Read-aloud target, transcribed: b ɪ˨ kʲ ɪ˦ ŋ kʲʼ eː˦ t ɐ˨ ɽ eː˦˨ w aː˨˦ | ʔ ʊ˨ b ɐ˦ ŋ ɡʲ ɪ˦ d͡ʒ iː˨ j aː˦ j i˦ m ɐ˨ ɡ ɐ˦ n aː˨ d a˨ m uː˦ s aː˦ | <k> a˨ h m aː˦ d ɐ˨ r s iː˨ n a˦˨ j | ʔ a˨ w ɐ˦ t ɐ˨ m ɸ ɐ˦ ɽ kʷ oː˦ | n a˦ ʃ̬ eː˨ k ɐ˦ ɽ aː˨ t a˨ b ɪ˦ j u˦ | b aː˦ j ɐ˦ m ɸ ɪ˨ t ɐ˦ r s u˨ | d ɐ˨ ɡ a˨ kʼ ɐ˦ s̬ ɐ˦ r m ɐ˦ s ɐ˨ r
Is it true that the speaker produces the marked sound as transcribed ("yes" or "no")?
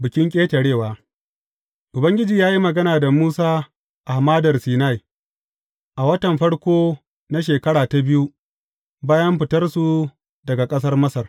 no